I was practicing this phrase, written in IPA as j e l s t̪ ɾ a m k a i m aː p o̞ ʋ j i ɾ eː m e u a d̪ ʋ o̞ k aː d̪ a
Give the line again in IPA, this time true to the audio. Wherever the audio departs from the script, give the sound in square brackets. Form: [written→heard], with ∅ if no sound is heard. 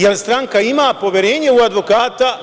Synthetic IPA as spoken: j e l s t̪ ɾ a [m→ŋ] k a i m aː p o̞ ʋ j [i→e] ɾ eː [m→ɲ] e u a d̪ ʋ o̞ k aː [d̪→t̪] a